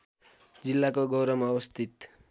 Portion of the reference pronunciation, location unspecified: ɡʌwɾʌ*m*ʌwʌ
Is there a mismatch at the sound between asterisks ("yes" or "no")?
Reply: no